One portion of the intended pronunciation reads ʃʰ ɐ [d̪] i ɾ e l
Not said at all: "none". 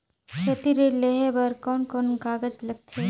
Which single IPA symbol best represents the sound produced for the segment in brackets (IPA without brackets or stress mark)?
t̪